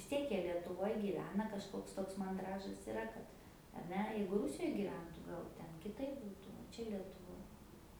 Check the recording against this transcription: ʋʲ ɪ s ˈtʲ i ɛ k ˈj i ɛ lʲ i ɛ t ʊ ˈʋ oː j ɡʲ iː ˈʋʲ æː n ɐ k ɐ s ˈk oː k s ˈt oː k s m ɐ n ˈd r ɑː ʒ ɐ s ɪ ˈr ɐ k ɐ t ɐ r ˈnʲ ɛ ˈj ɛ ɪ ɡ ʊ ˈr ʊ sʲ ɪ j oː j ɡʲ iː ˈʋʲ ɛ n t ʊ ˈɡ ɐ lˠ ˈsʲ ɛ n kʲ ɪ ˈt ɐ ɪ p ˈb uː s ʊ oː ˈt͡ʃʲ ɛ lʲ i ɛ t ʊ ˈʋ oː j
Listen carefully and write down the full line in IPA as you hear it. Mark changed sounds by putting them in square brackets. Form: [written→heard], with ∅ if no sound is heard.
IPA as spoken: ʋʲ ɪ s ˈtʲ i ɛ k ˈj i ɛ lʲ i ɛ t ʊ ˈʋ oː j ɡʲ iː ˈʋʲ æː n ɐ k ɐ [s→ʃ] ˈk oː k s ˈt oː k s m ɐ n ˈd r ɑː ʒ ɐ s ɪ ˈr ɐ k ɐ t ɐ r ˈnʲ ɛ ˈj ɛ ɪ ɡ ʊ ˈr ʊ sʲ ɪ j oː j ɡʲ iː ˈʋʲ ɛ n t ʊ ˈɡ ɐ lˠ [ˈsʲ→ˈtʲ] ɛ n kʲ ɪ ˈt ɐ ɪ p ˈb uː [s→t] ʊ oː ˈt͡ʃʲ ɛ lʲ i ɛ t ʊ ˈʋ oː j

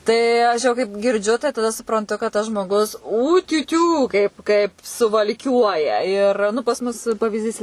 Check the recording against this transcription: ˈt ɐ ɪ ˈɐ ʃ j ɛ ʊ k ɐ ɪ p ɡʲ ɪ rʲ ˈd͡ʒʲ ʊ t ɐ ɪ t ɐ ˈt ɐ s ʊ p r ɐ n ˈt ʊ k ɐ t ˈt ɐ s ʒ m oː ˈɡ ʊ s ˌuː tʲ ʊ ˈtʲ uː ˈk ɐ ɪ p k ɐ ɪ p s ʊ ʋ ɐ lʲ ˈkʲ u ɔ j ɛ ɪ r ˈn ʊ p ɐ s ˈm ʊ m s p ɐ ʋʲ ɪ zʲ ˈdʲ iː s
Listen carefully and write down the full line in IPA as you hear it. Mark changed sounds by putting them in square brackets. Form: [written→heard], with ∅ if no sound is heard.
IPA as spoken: ˈt ɐ ɪ ˈɐ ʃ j ɛ ʊ k ɐ ɪ p ɡʲ ɪ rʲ ˈd͡ʒʲ ʊ t ɐ ɪ t ɐ [ˈt→ˈd] ɐ s ʊ p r ɐ n ˈt ʊ k ɐ t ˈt ɐ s ʒ m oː ˈɡ ʊ s ˌuː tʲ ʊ ˈtʲ uː ˈk ɐ ɪ p k ɐ ɪ p s ʊ ʋ ɐ lʲ ˈkʲ u ɔ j ɛ ɪ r ˈn ʊ p ɐ s ˈm ʊ [m→∅] s p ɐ ʋʲ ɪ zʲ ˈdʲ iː s

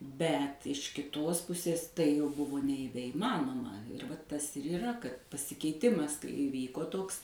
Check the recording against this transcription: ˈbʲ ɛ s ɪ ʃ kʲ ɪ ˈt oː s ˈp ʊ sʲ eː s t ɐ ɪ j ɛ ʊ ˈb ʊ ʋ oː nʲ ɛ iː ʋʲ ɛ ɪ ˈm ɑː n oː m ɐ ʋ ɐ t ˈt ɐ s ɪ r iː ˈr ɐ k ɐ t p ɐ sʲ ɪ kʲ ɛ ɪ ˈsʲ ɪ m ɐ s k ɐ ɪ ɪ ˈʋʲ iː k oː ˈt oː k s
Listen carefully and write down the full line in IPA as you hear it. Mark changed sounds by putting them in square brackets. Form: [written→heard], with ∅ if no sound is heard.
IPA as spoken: ˈbʲ ɛ [s→t] ɪ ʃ kʲ ɪ ˈt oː s ˈp ʊ sʲ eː s t ɐ ɪ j ɛ ʊ ˈb ʊ ʋ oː nʲ ɛ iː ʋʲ ɛ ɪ ˈm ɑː n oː m ɐ ʋ ɐ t ˈt ɐ s ɪ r iː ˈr ɐ k ɐ t p ɐ sʲ ɪ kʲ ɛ ɪ [ˈsʲ→ˈtʲ] ɪ m ɐ s k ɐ ɪ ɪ ˈʋʲ iː k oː ˈt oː k s

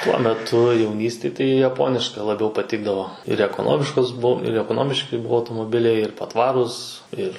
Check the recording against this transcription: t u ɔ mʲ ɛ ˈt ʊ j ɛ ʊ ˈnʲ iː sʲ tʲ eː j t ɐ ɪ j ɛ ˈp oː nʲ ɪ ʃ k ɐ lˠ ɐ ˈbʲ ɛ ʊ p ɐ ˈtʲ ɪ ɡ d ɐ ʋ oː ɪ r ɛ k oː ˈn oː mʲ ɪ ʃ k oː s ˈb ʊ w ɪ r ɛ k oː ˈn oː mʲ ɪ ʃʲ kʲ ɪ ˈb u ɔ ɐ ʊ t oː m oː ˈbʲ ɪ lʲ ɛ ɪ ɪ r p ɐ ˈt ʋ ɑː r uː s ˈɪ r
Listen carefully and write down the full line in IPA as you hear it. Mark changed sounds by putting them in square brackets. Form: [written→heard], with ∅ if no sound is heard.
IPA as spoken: t u ɔ mʲ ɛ ˈt ʊ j ɛ ʊ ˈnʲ iː sʲ tʲ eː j t ɐ ɪ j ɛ ˈp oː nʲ ɪ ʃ k ɐ lˠ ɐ ˈbʲ ɛ ʊ p ɐ ˈtʲ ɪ ɡ d ɐ ʋ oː ɪ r ɛ k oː ˈn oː mʲ ɪ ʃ k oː s ˈb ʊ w ɪ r ɛ k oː ˈn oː mʲ ɪ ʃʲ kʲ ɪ ˈb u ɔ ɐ ʊ t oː m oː ˈbʲ ɪ lʲ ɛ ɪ ɪ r p ɐ ˈt ʋ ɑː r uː s ˈɪ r

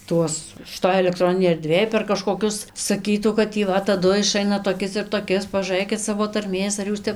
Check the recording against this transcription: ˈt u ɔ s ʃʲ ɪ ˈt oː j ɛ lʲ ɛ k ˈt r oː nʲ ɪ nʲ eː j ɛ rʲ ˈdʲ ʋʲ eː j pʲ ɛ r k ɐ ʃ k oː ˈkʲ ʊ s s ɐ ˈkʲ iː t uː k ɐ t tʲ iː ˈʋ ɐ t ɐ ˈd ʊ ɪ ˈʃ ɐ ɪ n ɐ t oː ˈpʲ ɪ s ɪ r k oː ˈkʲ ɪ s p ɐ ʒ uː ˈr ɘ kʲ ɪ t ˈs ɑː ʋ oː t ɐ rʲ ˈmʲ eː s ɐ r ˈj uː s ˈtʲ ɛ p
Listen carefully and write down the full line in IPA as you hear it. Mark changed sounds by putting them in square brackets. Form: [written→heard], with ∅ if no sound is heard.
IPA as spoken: ˈt u ɔ s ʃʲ ɪ ˈt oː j ɛ lʲ ɛ k ˈt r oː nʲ ɪ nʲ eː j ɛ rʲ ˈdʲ ʋʲ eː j pʲ ɛ r k ɐ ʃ k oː ˈkʲ ʊ s s ɐ ˈkʲ iː t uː k ɐ t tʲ iː ˈʋ ɐ t ɐ ˈd ʊ ɪ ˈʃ ɐ ɪ n ɐ t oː [ˈpʲ→ˈkʲ] ɪ s ɪ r [k→t] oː ˈkʲ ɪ s p ɐ ʒ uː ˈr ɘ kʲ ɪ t ˈs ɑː ʋ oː t ɐ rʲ ˈmʲ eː s ɐ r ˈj uː s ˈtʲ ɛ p

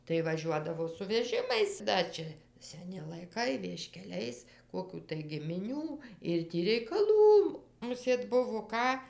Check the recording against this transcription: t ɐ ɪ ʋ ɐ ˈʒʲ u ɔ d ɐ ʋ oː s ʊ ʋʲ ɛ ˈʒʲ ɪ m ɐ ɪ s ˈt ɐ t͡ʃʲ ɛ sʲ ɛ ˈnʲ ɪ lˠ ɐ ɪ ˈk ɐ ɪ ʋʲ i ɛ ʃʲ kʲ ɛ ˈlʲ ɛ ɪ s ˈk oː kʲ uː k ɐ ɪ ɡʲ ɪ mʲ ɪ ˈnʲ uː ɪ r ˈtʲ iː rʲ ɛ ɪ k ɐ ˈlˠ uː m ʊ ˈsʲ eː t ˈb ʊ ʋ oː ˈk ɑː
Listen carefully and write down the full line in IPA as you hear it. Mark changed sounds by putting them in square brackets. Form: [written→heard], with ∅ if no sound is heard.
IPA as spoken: t ɐ ɪ ʋ ɐ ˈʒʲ u ɔ d ɐ ʋ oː s ʊ ʋʲ ɛ ˈʒʲ ɪ m ɐ ɪ s [ˈt→ˈd] ɐ t͡ʃʲ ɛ sʲ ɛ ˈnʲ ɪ lˠ ɐ ɪ ˈk ɐ ɪ ʋʲ i ɛ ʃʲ kʲ ɛ ˈlʲ ɛ ɪ s ˈk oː kʲ uː [k→t] ɐ ɪ ɡʲ ɪ mʲ ɪ ˈnʲ uː ɪ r ˈtʲ iː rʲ ɛ ɪ k ɐ ˈlˠ uː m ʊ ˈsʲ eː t ˈb ʊ ʋ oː ˈk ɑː

